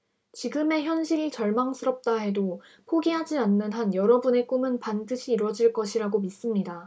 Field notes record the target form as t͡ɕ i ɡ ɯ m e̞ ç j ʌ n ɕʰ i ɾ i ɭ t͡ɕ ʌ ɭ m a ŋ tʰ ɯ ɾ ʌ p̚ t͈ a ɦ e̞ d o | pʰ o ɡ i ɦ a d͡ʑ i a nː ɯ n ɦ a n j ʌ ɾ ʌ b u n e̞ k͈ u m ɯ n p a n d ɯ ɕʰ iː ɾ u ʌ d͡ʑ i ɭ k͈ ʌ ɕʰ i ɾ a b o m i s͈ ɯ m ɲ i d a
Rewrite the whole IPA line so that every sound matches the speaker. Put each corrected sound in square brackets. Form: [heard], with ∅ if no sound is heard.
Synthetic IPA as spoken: t͡ɕ i ɡ ɯ m e̞ ç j ʌ n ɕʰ i ɾ i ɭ t͡ɕ ʌ ɭ m a ŋ [sʰ] ɯ ɾ ʌ p̚ t͈ a ɦ e̞ d o | pʰ o ɡ i ɦ a d͡ʑ i a nː ɯ n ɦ a n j ʌ ɾ ʌ b u n e̞ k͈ u m ɯ n p a n d ɯ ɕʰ iː ɾ [w] ʌ d͡ʑ i ɭ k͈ ʌ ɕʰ i ɾ a [ɡ] o m i s͈ ɯ m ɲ i d a